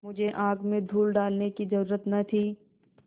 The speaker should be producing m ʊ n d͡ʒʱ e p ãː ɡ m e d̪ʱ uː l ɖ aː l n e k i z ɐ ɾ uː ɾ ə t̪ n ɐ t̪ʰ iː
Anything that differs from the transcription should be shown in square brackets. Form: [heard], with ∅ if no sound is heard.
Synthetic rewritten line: m ʊ [∅] d͡ʒʱ e [ʔ] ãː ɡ m [ẽ] d̪ʱ uː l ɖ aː l n e k i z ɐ ɾ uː ɾ ə t̪ n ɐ t̪ʰ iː